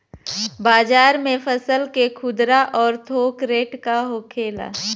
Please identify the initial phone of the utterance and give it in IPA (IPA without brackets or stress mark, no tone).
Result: b